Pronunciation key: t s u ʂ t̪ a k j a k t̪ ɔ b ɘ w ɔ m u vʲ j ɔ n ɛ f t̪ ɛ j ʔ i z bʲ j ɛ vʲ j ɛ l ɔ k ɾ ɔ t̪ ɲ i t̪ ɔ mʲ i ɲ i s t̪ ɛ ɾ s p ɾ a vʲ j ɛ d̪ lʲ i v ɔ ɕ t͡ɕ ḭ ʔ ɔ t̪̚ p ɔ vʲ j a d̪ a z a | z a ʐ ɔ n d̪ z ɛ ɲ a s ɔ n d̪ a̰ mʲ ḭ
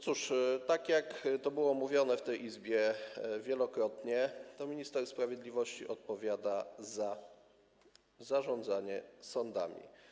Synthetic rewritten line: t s u ʂ t̪ a k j a k t̪ ɔ b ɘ w ɔ m u vʲ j ɔ n ɛ f t̪ ɛ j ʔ i z bʲ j ɛ vʲ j ɛ l ɔ k ɾ ɔ t̪ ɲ ɛ t̪ ɔ mʲ i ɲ i s t̪ ɛ ɾ s p ɾ a vʲ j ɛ d̪ lʲ i v ɔ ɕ t͡ɕ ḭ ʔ ɔ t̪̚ p ɔ vʲ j a d̪ a z a | z a ʐ ɔ n d̪ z a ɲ ɛ s ɔ n d̪ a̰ mʲ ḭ